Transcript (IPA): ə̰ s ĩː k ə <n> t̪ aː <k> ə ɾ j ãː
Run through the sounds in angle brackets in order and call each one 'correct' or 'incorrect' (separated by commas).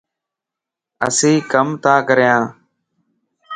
incorrect, correct